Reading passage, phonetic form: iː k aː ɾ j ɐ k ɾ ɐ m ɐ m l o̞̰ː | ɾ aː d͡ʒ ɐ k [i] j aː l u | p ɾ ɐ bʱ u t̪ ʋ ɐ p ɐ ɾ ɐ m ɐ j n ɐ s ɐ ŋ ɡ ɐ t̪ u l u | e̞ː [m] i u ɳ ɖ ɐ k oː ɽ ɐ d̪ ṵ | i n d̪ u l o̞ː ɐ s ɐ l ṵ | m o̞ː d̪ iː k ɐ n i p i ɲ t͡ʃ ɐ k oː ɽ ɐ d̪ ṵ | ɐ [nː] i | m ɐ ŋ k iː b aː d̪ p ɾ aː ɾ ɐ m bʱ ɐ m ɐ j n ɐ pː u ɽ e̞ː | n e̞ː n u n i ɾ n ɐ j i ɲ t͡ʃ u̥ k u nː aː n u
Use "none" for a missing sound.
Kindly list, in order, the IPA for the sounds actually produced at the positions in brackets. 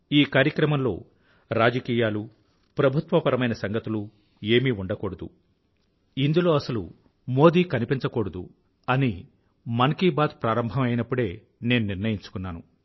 iː, m, n

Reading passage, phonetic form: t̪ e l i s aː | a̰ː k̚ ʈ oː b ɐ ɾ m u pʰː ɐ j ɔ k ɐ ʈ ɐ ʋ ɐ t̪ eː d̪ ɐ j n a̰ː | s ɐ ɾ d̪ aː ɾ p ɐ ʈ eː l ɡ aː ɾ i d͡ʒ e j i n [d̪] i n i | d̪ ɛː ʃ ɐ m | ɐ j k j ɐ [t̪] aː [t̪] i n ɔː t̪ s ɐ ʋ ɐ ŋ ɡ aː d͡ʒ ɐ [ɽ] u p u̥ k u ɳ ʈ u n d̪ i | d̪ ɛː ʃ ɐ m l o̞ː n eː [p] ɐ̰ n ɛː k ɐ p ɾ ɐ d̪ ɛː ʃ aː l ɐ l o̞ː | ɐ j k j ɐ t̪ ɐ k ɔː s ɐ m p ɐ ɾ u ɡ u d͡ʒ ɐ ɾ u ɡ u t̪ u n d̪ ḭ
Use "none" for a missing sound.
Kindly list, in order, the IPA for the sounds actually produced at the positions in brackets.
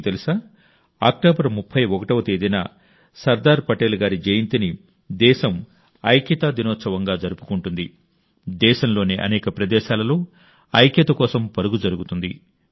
t̪, t̪, d̪, ɾ, ʔ

